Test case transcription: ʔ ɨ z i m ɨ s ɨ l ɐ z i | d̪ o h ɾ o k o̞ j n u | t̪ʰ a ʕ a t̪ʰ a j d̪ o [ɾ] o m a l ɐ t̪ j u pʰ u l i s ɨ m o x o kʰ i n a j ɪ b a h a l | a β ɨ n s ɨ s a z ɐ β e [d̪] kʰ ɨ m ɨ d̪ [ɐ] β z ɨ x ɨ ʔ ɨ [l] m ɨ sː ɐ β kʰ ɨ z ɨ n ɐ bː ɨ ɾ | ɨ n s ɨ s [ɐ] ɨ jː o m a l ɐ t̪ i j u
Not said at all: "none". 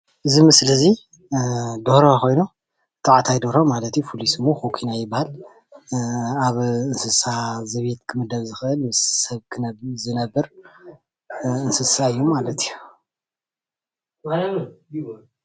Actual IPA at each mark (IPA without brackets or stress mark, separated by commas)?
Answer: ɾ, t̪, ɐ, l, a